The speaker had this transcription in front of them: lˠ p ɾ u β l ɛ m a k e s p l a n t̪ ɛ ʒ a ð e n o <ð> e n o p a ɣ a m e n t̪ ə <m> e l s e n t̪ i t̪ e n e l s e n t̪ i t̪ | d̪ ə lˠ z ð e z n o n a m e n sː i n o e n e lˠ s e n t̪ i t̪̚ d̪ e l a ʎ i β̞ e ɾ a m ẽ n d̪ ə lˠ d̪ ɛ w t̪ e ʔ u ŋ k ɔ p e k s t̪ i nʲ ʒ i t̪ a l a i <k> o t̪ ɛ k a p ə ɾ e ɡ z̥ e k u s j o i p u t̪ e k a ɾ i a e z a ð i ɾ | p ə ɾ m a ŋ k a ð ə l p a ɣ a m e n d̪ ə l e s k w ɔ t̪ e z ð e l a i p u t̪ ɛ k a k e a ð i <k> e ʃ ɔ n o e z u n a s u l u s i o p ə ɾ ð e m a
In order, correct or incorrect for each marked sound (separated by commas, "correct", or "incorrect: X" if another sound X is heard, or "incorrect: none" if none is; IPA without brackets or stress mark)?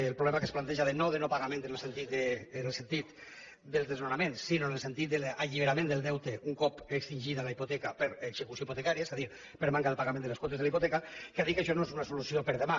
correct, incorrect: n, incorrect: p, correct